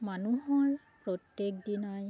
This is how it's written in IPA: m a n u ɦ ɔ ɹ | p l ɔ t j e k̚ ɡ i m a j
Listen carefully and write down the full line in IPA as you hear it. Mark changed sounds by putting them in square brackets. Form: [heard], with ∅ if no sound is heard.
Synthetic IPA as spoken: m a n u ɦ ɔ ɹ | p [ɹ] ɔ t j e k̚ [d] i [n] a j

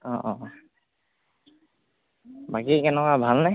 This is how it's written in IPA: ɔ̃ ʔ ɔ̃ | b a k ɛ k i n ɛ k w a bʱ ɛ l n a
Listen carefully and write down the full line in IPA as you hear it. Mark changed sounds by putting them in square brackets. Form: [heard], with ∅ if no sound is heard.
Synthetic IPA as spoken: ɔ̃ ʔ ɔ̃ | b a k [i] k [ɛ] n ɛ k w a bʱ [a] l n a

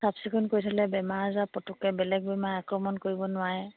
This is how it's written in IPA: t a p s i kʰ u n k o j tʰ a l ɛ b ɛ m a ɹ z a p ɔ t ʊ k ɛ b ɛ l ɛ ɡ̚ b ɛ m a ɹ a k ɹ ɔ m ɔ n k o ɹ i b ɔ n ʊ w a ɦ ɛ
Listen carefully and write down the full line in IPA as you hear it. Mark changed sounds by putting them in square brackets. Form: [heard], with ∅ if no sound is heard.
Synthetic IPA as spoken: [s] a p s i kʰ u n k o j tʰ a l ɛ b ɛ m a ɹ z a p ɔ t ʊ k ɛ b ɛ l ɛ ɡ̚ b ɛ m a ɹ a k ɹ ɔ m ɔ n k o ɹ i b ɔ n ʊ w a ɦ ɛ

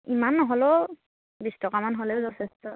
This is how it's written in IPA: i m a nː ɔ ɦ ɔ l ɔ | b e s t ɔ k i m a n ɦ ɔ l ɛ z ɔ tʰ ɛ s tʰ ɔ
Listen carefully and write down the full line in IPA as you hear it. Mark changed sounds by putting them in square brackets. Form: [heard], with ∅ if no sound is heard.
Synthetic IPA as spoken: i m a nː ɔ ɦ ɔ l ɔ | b [i] s t ɔ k [a] m a n ɦ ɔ l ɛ z ɔ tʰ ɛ s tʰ ɔ

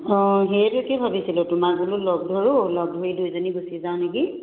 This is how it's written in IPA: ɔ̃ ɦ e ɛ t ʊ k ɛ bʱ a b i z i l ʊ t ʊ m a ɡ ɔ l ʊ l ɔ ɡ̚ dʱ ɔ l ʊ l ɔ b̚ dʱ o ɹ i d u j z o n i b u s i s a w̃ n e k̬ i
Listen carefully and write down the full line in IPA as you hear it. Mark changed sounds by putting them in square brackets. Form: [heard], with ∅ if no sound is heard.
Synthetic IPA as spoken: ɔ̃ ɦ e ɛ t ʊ k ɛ bʱ a b i [s] i l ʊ t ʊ m a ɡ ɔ l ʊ l ɔ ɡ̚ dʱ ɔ [ɹ] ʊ l ɔ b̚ dʱ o ɹ i d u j z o n i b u s i [z] a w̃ n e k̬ i

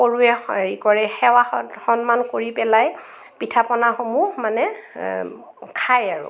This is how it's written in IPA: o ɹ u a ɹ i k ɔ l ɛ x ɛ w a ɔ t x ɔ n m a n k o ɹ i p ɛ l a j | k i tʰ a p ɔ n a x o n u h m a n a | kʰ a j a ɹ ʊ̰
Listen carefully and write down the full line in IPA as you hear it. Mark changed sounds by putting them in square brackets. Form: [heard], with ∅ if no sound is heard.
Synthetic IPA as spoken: o ɹ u [ɛ] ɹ i k ɔ [ɹ] ɛ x ɛ w a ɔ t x ɔ n m a n k o ɹ i p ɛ l a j | [p] i tʰ a p ɔ n a x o [m] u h m a n [ɛ] | kʰ a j a ɹ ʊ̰

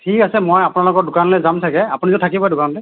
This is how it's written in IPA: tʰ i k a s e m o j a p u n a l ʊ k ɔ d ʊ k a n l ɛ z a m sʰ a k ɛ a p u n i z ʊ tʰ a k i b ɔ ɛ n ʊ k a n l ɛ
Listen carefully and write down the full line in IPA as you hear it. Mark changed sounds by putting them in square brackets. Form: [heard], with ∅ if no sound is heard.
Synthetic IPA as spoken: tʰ i k a s [ɛ] m o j a p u n a l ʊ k ɔ d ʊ k a n l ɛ z a m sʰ a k ɛ a p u n i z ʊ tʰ a k i b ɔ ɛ [d] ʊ k a n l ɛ

